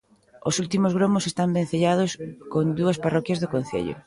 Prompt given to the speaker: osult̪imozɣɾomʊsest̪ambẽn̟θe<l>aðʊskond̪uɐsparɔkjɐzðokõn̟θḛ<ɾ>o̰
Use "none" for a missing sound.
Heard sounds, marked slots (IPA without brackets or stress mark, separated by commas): ʎ, ʎ